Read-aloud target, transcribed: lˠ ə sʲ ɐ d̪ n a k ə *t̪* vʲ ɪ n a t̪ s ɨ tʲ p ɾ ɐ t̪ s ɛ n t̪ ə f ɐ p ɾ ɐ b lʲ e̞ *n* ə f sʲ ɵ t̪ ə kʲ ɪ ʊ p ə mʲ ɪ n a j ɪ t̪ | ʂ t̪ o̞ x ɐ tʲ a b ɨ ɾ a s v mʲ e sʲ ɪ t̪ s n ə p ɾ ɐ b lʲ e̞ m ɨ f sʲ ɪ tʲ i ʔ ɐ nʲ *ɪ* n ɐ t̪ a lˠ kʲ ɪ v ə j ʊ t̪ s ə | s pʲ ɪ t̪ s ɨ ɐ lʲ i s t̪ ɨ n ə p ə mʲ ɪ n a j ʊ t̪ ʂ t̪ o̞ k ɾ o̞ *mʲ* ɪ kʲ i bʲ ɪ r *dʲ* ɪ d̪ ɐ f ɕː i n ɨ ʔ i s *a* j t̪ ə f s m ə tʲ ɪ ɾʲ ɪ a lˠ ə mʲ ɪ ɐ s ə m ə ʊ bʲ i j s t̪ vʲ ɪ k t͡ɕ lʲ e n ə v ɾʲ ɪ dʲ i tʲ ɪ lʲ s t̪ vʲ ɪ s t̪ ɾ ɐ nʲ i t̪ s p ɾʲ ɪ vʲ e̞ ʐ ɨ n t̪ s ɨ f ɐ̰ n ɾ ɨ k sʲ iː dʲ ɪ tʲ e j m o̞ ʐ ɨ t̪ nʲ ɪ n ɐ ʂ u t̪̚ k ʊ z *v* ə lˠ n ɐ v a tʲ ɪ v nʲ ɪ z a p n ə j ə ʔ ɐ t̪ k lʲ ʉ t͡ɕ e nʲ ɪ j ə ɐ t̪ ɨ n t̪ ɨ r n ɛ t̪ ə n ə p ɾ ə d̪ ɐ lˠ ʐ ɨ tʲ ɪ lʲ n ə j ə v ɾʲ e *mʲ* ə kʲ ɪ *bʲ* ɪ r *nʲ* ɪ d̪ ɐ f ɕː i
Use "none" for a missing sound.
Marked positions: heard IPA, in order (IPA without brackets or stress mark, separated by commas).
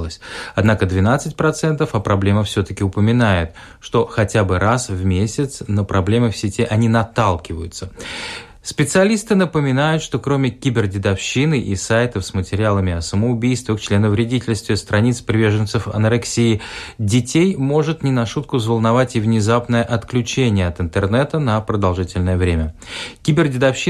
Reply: d̪, m, i, mʲ, dʲ, a, v, mʲ, bʲ, dʲ